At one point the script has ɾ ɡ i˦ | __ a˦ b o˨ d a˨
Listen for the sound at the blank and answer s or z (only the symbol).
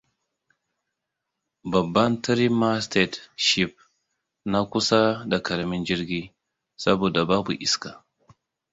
s